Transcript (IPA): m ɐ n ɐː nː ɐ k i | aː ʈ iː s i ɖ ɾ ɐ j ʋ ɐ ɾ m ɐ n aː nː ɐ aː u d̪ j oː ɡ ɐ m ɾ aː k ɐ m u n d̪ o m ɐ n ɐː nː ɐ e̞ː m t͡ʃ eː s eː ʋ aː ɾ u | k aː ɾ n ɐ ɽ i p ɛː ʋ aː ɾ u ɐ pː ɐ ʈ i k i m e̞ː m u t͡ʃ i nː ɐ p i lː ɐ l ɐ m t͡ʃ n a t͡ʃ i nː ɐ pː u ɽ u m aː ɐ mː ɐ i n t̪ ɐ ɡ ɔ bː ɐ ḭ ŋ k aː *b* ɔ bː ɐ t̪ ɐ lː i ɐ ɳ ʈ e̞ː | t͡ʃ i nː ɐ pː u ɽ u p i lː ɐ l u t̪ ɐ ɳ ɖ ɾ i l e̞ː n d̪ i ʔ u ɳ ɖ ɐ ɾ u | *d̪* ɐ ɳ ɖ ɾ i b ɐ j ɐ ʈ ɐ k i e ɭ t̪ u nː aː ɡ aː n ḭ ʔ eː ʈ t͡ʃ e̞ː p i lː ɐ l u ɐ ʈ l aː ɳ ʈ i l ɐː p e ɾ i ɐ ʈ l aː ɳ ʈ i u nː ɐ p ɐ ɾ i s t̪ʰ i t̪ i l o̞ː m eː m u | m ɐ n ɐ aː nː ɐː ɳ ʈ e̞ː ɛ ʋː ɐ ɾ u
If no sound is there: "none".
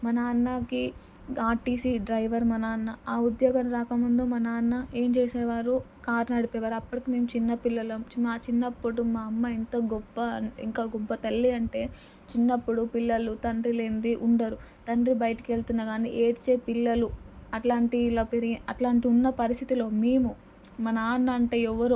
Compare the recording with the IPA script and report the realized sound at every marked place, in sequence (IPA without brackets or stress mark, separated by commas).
ɡ, t̪